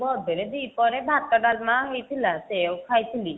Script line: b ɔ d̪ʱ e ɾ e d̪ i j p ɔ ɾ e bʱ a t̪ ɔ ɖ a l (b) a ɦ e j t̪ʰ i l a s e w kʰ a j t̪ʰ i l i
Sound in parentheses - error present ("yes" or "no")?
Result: yes